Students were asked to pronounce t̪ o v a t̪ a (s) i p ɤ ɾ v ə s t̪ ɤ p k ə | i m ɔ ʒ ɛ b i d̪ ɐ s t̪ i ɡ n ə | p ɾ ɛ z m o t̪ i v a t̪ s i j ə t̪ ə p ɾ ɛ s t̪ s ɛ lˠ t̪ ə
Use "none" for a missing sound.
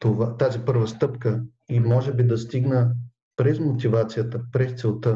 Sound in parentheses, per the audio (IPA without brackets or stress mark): z